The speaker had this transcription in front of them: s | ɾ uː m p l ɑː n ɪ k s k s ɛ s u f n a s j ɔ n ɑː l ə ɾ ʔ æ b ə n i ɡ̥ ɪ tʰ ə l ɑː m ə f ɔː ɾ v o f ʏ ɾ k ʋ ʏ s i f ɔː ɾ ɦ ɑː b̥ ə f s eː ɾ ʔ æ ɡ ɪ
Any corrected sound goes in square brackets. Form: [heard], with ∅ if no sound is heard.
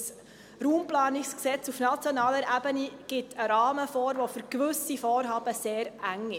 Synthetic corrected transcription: s | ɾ uː m p l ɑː n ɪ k s k s ɛ [t͡s] u f n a [t͡s] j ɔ n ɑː l ə ɾ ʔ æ b ə n i ɡ̥ ɪ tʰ ə [ɾ] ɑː m ə f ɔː ɾ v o f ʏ ɾ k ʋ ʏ s i f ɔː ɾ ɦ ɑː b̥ ə [∅] s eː ɾ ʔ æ [ŋ] ɪ